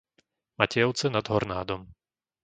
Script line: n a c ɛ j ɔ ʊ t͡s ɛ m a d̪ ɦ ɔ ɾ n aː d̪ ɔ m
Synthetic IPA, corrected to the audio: m a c ɛ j ɔ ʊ t͡s ɛ n a d̪ ɦ ɔ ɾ n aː d̪ ɔ m